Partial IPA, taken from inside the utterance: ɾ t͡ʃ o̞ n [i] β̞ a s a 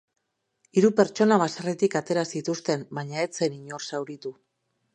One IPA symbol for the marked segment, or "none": a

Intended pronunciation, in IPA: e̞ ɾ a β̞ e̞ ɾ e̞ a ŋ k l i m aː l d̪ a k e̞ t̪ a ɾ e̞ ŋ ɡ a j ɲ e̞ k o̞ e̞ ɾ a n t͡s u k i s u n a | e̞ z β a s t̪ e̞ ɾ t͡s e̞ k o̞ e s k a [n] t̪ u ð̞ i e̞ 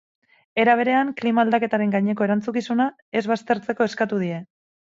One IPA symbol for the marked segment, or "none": none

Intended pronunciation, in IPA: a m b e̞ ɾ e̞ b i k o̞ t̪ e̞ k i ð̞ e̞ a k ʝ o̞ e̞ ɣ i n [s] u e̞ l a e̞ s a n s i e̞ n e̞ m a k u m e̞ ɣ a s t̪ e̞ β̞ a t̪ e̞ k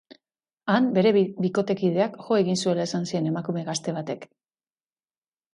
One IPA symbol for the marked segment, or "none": s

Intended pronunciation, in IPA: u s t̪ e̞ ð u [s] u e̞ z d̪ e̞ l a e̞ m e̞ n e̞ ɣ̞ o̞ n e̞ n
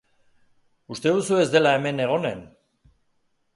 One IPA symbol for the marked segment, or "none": s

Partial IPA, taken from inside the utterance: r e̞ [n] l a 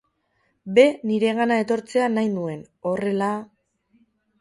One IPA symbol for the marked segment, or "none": none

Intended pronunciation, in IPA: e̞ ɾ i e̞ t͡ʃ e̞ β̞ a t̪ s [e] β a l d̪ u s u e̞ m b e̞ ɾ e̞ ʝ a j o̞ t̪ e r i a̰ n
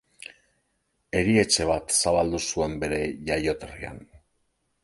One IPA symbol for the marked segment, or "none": a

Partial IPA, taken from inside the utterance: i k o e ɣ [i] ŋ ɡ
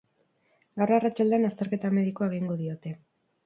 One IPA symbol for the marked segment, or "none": i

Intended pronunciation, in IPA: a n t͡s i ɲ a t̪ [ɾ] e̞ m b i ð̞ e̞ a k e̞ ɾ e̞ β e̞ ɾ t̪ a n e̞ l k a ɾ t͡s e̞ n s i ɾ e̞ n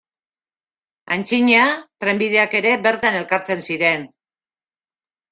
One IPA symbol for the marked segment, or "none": ɾ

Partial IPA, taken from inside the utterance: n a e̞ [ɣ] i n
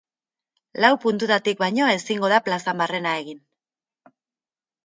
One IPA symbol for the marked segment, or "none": ɣ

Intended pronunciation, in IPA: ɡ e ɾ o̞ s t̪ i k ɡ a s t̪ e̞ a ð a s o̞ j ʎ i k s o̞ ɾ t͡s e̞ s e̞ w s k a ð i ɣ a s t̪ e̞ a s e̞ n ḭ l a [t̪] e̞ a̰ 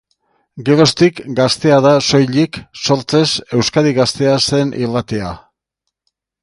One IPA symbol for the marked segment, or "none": t̪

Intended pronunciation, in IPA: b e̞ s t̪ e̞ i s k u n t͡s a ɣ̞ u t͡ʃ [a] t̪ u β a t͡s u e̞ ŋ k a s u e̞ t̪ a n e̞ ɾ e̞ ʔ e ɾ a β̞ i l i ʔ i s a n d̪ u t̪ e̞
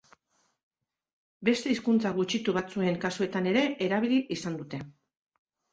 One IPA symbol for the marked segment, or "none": i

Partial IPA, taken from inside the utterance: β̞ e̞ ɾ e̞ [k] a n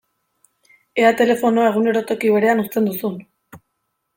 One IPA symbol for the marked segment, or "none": none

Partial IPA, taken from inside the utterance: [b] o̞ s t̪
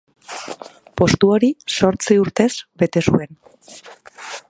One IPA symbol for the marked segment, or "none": p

